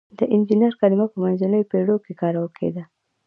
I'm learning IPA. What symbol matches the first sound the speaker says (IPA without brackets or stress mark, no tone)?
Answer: d̪